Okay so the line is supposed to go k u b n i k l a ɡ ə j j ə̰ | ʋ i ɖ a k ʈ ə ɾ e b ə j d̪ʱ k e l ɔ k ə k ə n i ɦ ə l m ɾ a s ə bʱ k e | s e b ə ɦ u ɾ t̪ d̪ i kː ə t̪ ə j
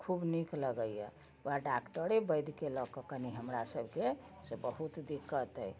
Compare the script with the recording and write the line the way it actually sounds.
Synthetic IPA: kʰ u b n i k l ə ɡ ə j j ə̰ | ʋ a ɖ a k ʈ ə ɾ e b ə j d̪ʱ k e l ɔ k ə k ə n i ɦ ə m ɾ a s ə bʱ k e | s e b ə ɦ u t̪ d̪ i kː ə t̪ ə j

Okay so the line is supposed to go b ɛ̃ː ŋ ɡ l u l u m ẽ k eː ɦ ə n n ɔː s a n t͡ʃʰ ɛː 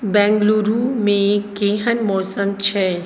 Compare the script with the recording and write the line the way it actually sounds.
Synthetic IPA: b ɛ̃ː ŋ ɡ l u ɾ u m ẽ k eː ɦ ə n m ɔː s ə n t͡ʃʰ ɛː

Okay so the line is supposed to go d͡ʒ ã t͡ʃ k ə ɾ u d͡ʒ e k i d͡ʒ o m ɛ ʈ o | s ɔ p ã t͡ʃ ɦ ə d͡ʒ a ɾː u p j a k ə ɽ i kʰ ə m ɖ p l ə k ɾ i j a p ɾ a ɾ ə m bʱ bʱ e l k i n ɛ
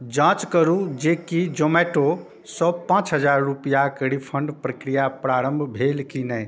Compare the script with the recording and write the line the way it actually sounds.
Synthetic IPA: d͡ʒ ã t͡ʃ k ə ɾ u d͡ʒ e k i d͡ʒ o m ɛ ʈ o | s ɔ p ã t͡ʃ ɦ ə d͡ʒ a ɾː u p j a k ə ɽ i pʰ ə ɳ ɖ p ɾ ə k ɾ i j a p ɾ a ɾ ə m bʱ bʱ e l k i n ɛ

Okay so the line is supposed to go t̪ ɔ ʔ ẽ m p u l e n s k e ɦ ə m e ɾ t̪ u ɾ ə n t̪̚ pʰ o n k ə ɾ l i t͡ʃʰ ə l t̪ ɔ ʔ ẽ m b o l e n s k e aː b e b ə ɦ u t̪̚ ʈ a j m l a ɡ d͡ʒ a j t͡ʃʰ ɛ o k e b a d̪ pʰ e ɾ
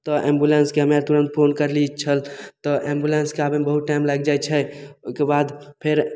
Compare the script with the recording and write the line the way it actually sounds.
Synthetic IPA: t̪ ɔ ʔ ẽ m b u l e n s k e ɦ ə m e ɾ t̪ u ɾ ə n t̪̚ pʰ o n k ə ɾ l i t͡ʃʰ ə l t̪ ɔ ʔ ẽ m b u l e n s k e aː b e b ə ɦ u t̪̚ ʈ a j m l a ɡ d͡ʒ a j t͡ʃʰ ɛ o k e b a d̪ pʰ e ɾ

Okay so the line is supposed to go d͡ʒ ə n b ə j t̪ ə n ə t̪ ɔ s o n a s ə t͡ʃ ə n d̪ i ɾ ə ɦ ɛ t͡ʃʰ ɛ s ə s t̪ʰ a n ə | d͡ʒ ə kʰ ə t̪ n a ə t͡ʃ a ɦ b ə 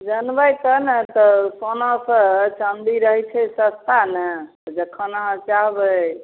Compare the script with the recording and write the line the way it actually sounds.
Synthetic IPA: d͡ʒ ə n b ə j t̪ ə n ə t̪ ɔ s o n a s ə t͡ʃ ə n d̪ i ɾ ə ɦ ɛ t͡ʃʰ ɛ s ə s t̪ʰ a n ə | d͡ʒ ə kʰ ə n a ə t͡ʃ a ɦ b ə

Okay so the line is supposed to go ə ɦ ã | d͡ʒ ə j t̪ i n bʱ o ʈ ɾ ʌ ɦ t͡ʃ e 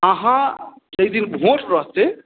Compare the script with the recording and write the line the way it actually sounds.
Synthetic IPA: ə ɦ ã | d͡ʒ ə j d̪ i n bʱ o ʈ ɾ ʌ ɦ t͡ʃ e

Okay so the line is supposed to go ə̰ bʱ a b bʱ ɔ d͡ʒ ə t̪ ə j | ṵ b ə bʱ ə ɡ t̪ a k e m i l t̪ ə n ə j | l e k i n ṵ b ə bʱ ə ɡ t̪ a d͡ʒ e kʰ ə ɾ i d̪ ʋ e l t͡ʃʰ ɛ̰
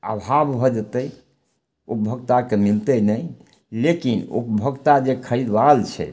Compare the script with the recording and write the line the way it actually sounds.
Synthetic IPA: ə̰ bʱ a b bʱ ɔ d͡ʒ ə t̪ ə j | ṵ p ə bʱ ə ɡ t̪ a k e m i l t̪ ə n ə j | l e k i n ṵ p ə bʱ ə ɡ t̪ a d͡ʒ e kʰ ə ɾ i d̪ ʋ a l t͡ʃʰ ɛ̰

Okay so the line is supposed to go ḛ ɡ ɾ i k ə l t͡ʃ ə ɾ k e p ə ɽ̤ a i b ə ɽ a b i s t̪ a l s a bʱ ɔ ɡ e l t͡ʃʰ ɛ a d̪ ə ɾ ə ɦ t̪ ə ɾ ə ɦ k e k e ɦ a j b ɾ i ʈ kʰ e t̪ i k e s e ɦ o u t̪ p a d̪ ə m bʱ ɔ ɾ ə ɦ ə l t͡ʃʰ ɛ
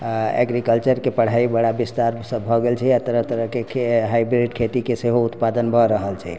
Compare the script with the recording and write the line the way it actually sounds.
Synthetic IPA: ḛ ɡ ɾ i k ə l t͡ʃ ə ɾ k e p ə ɽ̤ a i b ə ɽ a b i s t̪ a ɾ s ə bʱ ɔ ɡ e l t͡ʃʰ ɛ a t̪ ə ɾ ə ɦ t̪ ə ɾ ə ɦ k e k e ɦ a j b ɾ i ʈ kʰ e t̪ i k e s e ɦ o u t̪ p a d̪ ə n bʱ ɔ ɾ ə ɦ ə l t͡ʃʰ ɛ

